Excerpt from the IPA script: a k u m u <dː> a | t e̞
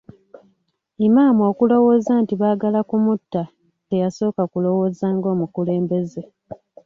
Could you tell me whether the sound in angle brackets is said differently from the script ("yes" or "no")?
yes